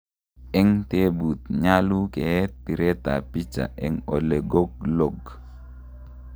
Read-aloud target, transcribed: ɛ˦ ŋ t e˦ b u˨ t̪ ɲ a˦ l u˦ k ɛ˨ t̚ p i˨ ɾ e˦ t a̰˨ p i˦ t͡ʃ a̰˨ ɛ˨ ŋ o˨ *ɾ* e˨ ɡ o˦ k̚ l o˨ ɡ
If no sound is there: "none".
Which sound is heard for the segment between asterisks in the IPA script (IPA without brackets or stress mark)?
l